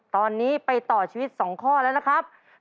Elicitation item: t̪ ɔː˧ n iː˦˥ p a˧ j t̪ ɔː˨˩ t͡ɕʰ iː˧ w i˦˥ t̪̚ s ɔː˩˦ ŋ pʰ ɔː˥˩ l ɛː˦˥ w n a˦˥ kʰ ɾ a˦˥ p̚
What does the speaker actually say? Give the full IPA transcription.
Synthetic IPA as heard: t̪ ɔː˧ nː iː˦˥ p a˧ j t̪ ɔː˨˩ t͡ɕʰ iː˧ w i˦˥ t̪̚ s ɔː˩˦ ŋ kʰ ɔː˥˩ l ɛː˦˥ w n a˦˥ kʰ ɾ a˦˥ p̚

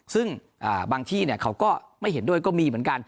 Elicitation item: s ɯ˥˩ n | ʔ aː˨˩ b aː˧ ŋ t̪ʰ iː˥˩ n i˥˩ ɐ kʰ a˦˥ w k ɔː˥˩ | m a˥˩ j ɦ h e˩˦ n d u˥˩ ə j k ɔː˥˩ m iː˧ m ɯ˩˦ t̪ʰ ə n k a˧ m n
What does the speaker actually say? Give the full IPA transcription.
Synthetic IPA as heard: s ɯ˥˩ ŋ | ʔ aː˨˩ b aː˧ ŋ t̪ʰ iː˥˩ n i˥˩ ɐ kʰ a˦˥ w k ɔː˥˩ | m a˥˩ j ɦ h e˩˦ n d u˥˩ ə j k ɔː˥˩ m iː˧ m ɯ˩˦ ə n k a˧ n

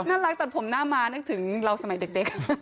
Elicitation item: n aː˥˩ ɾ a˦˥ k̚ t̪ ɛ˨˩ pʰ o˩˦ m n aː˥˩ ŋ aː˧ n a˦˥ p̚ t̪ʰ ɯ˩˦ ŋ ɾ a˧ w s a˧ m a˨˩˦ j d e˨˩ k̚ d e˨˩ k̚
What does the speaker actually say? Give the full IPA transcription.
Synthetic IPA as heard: n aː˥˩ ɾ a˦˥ k̚ t̪ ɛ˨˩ pʰ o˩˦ m n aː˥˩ m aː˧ n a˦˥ k̚ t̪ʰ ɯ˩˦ ŋ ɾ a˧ w s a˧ m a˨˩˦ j d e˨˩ k̚ d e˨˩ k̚

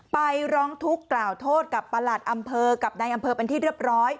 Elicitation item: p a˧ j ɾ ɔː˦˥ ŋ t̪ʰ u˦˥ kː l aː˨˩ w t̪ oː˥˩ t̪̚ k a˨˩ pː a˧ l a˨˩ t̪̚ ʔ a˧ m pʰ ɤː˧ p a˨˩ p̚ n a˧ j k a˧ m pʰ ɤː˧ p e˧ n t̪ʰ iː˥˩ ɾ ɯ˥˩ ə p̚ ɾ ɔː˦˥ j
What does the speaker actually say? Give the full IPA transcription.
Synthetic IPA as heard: p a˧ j ɾ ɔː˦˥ ŋ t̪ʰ u˦˥ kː l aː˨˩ w t̪ʰ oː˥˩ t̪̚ k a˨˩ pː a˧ l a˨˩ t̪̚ ʔ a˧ m pʰ ɤː˧ k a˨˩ p̚ n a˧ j ʔ a˧ m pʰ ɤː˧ p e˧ n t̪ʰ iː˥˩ ɾ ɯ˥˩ ə p̚ ɾ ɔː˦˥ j

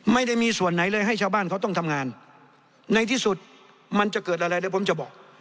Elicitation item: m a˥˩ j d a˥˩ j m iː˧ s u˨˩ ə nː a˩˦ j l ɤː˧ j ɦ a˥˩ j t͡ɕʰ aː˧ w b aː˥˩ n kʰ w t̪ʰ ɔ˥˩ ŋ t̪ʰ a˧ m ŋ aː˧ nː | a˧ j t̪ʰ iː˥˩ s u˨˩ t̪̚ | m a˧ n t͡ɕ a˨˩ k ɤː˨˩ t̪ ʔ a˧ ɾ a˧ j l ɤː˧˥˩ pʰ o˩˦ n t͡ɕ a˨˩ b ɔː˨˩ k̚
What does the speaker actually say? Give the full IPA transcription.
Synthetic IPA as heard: m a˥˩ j d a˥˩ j m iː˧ s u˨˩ ə nː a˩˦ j l ɤː˧ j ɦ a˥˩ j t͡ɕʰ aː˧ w b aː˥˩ n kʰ w t̪ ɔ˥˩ ŋ t̪ʰ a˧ m ŋ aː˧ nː | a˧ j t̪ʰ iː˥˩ s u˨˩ t̪̚ | m a˧ n t͡ɕ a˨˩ k ɤː˨˩ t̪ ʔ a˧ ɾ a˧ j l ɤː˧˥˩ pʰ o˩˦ m t͡ɕ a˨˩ b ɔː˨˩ k̚

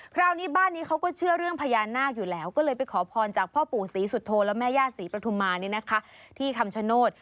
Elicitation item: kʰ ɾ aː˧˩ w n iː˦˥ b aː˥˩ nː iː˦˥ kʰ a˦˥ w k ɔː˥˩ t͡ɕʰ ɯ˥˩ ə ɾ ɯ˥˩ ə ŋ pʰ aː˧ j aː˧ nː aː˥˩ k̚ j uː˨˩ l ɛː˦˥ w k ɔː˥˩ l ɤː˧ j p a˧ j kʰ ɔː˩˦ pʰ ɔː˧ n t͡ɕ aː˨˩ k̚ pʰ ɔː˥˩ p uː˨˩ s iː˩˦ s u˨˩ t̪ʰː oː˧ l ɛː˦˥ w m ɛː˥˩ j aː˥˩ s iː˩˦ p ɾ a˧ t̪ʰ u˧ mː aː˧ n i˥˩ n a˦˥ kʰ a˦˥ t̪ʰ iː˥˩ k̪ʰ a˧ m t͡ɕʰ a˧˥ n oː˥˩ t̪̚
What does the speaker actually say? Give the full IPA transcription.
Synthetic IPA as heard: kʰ ɾ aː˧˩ w n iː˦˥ b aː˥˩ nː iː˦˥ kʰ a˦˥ w k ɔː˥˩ t͡ɕʰ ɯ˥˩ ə ɾ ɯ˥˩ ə ŋ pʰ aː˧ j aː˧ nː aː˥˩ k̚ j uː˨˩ l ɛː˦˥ w k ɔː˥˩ l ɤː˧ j p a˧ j kʰ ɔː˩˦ pʰ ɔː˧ n t͡ɕ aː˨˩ k̚ pʰ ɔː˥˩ p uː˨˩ s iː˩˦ s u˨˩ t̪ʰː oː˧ l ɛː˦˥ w m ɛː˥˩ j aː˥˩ s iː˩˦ p ɾ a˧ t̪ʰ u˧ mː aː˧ n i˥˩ n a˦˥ kʰ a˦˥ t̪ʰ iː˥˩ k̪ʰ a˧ m t͡ɕʰ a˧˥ n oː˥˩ t̪̚

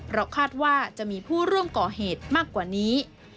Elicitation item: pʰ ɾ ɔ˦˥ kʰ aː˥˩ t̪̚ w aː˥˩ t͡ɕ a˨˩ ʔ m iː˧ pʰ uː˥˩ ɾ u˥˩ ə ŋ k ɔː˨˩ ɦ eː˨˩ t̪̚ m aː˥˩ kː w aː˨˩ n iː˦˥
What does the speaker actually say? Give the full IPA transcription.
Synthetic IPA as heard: pʰ ɾ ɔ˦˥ kʰ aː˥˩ t̪̚ w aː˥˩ t͡ɕ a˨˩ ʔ m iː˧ pʰ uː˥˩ ɾ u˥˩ ə m k ɔː˨˩ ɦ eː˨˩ t̪̚ m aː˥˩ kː w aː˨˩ n iː˦˥

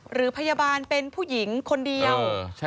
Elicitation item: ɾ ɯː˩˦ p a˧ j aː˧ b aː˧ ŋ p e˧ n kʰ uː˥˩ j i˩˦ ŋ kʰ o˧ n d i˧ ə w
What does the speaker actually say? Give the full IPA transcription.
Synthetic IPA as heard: ɾ ɯː˩˦ pʰ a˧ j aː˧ b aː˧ n p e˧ n pʰ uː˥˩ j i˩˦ ŋ kʰ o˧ n d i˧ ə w

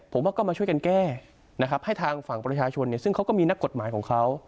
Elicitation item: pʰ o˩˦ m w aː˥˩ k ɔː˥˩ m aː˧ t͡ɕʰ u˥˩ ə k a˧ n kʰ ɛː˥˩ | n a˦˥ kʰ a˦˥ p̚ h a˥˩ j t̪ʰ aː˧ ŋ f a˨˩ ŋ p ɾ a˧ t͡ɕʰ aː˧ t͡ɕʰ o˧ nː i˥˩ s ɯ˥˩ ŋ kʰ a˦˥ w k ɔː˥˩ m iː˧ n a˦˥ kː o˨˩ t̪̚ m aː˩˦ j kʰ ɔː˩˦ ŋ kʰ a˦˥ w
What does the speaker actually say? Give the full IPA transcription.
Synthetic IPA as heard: pʰ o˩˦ m w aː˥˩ k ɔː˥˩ m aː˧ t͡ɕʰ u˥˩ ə k a˧ n k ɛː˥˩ | n a˦˥ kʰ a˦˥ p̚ h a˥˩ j t̪ʰ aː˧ ŋ f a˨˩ ŋ p ɾ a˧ t͡ɕʰ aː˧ t͡ɕʰ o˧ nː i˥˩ s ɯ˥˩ ŋ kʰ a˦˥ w k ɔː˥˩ m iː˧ n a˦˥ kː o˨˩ t̪̚ m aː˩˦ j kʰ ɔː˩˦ ŋ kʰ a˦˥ w

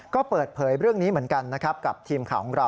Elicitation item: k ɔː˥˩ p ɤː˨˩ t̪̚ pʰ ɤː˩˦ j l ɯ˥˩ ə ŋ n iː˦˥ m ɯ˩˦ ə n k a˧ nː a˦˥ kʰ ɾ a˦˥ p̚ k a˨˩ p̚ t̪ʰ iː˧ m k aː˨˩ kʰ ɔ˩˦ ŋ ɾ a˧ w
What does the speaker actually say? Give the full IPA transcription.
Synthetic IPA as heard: k ɔː˥˩ p ɤː˨˩ t̪̚ pʰ ɤː˩˦ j ɾ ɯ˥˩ ə ŋ n iː˦˥ m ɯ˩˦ ə n k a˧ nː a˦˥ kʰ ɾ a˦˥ p̚ k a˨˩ p̚ t̪ʰ iː˧ m kʰ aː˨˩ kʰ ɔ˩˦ ŋ ɾ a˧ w

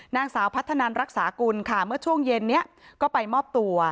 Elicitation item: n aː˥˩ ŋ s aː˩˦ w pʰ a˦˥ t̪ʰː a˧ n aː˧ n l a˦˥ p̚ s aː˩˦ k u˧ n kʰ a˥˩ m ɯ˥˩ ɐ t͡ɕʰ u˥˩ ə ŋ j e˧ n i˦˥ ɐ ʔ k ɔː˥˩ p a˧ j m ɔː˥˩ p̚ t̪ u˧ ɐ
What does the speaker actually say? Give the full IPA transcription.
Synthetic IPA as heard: n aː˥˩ ŋ s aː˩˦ w pʰ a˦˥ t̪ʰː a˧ n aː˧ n ɾ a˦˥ k̚ s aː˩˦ k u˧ n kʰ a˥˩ m ɯ˥˩ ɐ t͡ɕʰ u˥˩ ə ŋ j e˧ nː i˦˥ ɐ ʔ k ɔː˥˩ p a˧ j m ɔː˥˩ p̚ t̪ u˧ ɐ

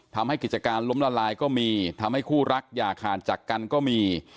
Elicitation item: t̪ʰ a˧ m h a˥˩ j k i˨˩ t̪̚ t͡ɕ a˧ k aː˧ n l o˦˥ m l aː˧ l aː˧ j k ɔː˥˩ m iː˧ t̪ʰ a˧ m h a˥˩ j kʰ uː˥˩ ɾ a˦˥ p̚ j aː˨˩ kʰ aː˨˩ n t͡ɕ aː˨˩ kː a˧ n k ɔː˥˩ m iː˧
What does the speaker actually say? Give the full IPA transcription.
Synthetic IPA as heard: t̪ʰ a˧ m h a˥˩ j k i˨˩ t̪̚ t͡ɕ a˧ k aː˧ n l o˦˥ m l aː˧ l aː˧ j k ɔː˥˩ m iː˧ t̪ʰ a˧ m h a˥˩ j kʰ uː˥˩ ɾ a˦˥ k̚ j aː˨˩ kʰ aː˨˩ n t͡ɕ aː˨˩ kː a˧ n k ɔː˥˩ m iː˧

